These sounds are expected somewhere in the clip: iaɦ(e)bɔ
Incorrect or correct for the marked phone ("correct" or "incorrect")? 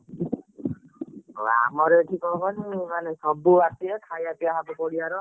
incorrect